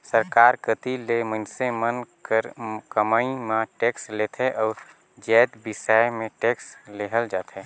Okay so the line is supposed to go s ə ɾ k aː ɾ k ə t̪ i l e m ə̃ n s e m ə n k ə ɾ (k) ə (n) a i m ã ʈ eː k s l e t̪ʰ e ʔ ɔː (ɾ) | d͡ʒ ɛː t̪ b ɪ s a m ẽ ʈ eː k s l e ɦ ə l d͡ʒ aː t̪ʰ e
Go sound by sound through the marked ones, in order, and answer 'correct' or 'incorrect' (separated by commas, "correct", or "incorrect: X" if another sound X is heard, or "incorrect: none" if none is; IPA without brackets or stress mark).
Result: correct, incorrect: m, correct